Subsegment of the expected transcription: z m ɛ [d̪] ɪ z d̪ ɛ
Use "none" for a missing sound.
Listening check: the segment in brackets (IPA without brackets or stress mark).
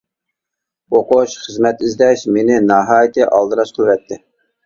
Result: t̪